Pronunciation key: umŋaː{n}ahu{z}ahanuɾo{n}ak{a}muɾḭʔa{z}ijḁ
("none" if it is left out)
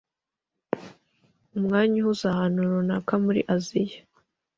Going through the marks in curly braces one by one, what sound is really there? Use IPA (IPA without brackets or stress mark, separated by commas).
ɲ, z, n, a, z